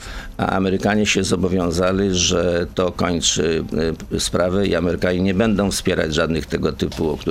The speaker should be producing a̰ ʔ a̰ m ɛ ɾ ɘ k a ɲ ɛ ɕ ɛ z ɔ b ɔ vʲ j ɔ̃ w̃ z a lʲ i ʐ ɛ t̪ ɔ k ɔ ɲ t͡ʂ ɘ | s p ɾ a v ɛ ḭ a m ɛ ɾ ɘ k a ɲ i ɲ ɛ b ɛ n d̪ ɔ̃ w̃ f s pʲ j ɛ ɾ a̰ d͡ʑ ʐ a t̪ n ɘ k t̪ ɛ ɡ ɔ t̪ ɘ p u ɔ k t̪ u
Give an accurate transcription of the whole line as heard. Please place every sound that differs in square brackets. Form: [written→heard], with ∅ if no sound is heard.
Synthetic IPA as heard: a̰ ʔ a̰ m ɛ ɾ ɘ k a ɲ ɛ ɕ ɛ z ɔ b ɔ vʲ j ɔ̃ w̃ z a lʲ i ʐ ɛ t̪ ɔ k ɔ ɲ t͡ʂ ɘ | s p ɾ a v ɛ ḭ a m ɛ ɾ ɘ k a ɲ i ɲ ɛ b ɛ n d̪ ɔ̃ w̃ f s pʲ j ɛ ɾ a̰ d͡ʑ ʐ a [t̪→d̪] n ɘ [k→x] t̪ ɛ ɡ ɔ t̪ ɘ p u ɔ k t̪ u